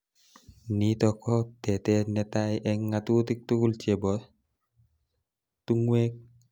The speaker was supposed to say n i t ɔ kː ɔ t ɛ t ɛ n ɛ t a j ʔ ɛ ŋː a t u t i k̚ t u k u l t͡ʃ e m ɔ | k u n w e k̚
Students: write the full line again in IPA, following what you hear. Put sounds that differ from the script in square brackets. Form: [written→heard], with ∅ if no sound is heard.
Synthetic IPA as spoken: n i t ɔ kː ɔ t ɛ t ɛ n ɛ t a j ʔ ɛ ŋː a t u t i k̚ t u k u l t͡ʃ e [m→b] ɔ | [k→t] u [n→ŋ] w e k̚